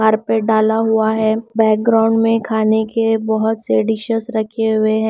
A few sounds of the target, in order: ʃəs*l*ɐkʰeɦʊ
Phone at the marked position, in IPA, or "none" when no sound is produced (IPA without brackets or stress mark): ɾ